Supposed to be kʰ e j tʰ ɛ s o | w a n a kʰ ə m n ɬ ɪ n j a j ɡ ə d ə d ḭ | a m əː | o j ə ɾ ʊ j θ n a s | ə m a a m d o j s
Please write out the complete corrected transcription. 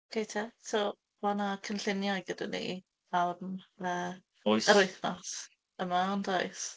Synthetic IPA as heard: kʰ e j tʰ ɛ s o | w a n a kʰ ə n ɬ ɪ n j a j ɡ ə d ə n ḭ | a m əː | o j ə ɾ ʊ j θ n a s | ə m a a n d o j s